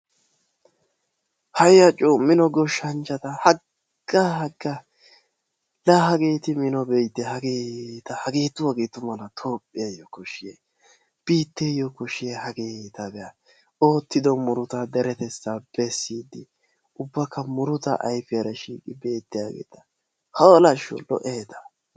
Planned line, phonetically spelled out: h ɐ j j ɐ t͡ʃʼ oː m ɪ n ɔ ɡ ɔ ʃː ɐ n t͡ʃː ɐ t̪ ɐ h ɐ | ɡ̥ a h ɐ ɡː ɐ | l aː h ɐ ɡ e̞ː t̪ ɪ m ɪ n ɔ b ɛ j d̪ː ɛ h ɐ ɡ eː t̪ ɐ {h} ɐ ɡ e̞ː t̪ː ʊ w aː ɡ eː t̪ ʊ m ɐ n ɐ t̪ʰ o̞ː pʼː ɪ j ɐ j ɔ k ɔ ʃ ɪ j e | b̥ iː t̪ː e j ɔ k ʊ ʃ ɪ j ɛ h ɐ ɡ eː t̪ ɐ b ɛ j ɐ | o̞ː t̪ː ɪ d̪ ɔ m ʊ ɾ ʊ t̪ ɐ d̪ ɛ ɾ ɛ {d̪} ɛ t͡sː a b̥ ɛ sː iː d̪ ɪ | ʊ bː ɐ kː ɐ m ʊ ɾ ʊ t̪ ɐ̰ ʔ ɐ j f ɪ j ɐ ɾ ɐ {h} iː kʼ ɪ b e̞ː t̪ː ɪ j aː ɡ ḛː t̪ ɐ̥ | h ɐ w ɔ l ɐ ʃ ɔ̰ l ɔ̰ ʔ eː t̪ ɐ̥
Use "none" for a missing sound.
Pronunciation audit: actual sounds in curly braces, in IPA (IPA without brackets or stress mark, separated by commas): h, t̪, ʃ